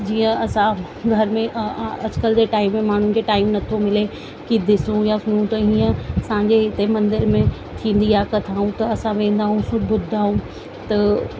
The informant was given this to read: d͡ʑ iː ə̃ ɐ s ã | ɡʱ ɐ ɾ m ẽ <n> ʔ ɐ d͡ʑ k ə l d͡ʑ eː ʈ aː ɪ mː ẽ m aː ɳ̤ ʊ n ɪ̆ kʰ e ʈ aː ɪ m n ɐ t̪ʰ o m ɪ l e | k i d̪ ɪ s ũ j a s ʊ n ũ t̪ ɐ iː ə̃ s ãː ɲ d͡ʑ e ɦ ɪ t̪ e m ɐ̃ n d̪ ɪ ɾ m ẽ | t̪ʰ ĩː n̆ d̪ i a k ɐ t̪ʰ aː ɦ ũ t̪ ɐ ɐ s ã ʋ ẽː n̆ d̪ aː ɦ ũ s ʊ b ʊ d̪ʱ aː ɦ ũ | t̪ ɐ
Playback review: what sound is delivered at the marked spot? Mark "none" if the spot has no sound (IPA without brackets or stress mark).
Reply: none